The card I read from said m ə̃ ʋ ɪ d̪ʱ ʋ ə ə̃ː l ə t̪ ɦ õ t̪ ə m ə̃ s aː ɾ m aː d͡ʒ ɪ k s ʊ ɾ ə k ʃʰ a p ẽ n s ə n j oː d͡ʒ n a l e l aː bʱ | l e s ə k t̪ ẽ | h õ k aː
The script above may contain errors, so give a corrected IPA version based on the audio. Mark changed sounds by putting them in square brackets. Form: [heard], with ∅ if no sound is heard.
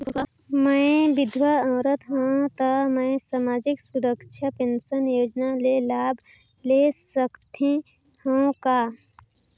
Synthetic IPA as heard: m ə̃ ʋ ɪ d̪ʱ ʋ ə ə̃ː [ɾ] ə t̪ ɦ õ t̪ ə m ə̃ s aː [∅] m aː d͡ʒ ɪ k s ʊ ɾ ə k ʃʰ a p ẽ n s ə n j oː d͡ʒ n a l e l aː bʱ | l e s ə k t̪ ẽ | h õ k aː